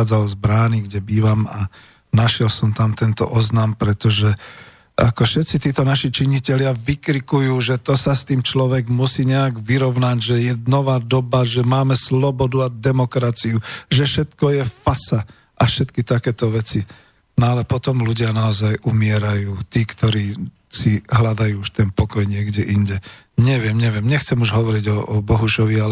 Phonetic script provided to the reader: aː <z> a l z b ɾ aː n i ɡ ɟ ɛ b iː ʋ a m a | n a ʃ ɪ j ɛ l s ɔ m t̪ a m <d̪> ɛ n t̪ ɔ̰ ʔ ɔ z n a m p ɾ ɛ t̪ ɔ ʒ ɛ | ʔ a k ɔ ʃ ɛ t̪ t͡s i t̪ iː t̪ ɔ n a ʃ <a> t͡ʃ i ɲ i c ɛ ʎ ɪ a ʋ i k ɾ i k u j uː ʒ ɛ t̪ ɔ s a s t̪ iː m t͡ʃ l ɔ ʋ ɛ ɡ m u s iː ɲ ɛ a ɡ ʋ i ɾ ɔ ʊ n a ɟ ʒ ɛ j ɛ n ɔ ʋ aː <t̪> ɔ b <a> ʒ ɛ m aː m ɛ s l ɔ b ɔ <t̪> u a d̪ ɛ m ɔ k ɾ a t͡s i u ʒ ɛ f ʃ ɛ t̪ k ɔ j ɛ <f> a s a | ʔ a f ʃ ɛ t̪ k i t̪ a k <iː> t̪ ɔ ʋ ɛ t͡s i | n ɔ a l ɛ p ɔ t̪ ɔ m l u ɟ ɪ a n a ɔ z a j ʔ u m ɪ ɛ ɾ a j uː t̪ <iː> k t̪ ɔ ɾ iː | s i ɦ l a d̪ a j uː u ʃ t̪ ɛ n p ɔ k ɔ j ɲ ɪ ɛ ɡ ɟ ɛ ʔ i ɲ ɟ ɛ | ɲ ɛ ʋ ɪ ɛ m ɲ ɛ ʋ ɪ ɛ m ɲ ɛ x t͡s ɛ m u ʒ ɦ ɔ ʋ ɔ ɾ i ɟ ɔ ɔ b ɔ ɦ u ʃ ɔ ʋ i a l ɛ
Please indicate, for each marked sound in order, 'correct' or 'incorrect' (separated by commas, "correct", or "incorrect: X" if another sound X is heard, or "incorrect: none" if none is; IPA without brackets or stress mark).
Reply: incorrect: d͡z, incorrect: t̪, incorrect: i, incorrect: d̪, correct, incorrect: d̪, correct, incorrect: ɛː, correct